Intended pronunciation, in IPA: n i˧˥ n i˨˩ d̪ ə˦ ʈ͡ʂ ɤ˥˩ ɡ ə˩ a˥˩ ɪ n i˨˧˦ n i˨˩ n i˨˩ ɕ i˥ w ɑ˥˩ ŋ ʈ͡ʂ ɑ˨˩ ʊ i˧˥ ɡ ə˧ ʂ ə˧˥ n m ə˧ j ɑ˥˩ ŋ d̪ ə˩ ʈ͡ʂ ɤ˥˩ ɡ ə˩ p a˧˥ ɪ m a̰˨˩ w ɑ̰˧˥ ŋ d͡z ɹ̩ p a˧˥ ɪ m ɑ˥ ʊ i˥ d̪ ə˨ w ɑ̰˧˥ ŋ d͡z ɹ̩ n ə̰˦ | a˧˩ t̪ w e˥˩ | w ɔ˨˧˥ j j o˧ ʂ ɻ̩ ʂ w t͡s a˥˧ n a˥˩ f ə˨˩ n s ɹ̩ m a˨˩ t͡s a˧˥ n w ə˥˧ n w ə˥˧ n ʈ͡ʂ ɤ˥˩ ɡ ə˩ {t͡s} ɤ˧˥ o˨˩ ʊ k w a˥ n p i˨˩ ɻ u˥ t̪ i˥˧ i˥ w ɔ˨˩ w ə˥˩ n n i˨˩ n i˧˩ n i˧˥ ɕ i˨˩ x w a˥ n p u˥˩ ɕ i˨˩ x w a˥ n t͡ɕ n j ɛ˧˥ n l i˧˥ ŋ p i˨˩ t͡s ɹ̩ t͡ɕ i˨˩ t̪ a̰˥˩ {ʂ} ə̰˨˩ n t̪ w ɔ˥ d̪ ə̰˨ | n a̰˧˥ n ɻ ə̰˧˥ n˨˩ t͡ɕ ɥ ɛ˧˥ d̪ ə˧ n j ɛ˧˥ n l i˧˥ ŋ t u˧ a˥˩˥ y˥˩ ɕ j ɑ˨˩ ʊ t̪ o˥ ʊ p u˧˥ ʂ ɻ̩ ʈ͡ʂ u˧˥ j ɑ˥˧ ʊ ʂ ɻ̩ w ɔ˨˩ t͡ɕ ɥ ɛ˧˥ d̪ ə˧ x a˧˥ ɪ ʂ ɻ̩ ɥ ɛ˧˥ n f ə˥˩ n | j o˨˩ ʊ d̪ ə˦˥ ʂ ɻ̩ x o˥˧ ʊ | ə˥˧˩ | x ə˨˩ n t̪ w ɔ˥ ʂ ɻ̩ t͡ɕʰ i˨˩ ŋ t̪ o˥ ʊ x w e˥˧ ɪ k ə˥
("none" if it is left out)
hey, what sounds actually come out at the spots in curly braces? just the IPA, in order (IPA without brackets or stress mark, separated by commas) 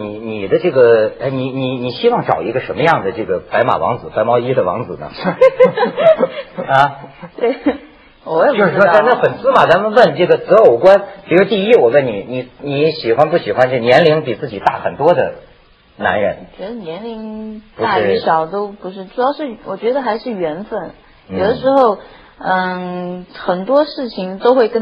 t͡s, x